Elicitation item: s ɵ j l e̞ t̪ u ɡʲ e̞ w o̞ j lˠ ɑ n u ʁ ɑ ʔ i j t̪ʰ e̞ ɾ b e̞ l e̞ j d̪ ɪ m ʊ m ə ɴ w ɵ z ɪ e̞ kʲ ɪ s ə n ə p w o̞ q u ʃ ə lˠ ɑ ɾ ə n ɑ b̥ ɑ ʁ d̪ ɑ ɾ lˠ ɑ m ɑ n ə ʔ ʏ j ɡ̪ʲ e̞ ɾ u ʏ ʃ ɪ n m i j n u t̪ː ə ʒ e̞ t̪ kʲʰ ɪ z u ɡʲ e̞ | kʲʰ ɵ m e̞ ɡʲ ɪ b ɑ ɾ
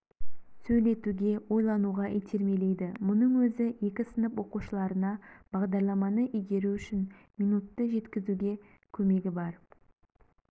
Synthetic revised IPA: s ɵ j l e̞ t̪ u ɡʲ e̞ w o̞ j lˠ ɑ n u ʁ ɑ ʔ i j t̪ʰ e̞ ɾ m e̞ l e̞ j d̪ ɪ m ʊ n ə ɴ w ɵ z ɪ e̞ kʲ ɪ s ə n ə p w o̞ q u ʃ ə lˠ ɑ ɾ ə n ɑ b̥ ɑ ʁ d̪ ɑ ɾ lˠ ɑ m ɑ n ə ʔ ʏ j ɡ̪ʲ e̞ ɾ u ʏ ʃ ɪ n m i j n u t̪ː ə ʒ e̞ t̪ kʲ ɪ z u ɡʲ e̞ | kʲʰ ɵ m e̞ ɡʲ ɪ b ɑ ɾ